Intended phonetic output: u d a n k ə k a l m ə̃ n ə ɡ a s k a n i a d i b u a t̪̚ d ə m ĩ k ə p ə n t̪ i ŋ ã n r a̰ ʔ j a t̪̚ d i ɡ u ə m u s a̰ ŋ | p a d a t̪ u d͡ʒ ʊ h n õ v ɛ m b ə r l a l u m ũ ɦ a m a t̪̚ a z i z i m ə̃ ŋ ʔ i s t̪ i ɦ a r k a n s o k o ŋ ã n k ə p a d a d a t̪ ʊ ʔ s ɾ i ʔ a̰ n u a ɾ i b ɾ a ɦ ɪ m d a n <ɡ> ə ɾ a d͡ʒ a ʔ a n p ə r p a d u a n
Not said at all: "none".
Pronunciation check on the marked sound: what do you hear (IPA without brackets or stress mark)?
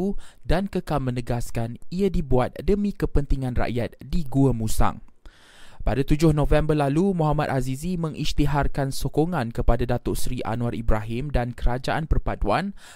k